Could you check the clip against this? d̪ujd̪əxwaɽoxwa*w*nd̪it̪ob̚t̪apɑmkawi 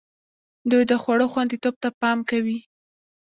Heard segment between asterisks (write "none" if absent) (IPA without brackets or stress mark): none